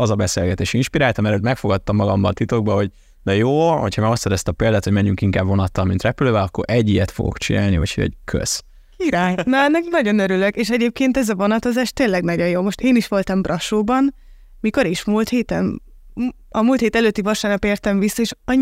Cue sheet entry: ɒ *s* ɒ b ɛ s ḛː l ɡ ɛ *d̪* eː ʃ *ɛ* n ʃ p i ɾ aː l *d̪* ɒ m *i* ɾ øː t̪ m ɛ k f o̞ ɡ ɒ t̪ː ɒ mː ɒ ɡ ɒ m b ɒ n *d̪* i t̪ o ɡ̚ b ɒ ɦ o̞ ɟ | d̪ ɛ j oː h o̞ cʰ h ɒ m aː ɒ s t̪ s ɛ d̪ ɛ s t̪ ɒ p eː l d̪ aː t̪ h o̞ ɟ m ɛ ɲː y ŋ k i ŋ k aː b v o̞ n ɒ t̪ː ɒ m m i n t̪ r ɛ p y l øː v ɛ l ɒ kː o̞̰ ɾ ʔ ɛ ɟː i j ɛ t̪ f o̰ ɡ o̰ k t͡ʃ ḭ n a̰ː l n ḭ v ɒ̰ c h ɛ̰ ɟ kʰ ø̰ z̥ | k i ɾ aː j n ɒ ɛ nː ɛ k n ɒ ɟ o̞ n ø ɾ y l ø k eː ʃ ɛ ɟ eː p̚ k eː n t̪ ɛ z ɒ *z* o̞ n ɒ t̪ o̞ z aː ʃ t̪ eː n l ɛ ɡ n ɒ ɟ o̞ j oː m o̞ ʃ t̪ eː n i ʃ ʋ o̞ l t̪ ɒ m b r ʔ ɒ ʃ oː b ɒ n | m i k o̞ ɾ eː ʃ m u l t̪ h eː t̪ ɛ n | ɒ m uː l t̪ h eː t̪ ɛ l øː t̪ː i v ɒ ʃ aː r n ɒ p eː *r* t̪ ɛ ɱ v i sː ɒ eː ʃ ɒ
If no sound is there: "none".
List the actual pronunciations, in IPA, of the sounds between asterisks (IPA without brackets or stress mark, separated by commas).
z, t̪, i, t̪, ɛ, t̪, v, r